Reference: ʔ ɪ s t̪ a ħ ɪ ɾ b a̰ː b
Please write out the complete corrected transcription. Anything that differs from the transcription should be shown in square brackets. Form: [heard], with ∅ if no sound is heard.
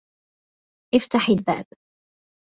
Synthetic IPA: ʔ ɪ [f] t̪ a ħ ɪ [l] b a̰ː b